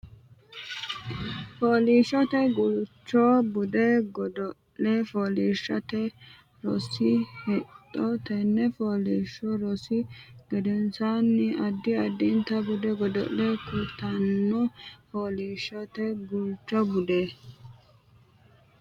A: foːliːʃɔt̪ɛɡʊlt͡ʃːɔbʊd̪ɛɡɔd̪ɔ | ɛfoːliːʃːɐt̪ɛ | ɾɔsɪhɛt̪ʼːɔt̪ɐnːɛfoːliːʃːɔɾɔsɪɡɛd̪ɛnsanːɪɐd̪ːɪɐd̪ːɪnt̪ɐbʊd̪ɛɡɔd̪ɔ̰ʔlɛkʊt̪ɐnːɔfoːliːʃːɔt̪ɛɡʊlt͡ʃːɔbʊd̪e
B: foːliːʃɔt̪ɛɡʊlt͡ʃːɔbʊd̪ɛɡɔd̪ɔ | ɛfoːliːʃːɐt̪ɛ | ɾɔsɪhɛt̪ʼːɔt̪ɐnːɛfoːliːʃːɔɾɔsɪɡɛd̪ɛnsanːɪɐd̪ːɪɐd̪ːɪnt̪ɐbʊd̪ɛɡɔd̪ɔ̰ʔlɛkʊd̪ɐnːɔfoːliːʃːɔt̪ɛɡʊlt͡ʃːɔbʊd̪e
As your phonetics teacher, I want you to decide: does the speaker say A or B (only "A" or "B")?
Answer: A